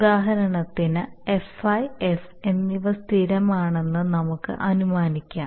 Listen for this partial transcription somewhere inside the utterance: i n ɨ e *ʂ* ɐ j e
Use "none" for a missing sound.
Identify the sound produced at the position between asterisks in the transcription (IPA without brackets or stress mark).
f